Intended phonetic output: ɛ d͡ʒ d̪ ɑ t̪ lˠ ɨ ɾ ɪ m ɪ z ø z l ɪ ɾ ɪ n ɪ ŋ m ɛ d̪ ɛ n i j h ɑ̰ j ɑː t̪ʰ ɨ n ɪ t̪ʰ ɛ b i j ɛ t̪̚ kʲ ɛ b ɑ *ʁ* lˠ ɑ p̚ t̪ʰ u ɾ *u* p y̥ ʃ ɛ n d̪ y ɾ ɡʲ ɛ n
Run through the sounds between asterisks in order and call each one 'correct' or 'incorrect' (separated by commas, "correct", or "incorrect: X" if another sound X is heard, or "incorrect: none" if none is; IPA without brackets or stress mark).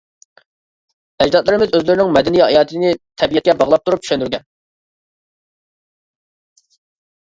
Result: correct, correct